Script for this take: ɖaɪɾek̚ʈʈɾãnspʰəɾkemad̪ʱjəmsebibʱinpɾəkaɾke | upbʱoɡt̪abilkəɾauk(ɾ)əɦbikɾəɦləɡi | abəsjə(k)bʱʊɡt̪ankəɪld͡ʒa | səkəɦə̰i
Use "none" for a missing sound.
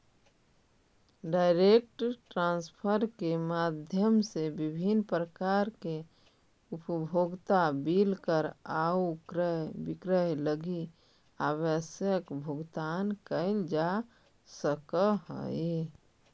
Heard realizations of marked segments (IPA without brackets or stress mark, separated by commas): ɾ, k